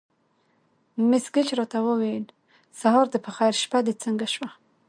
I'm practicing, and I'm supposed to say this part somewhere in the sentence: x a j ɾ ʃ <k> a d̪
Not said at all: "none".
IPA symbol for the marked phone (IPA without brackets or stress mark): p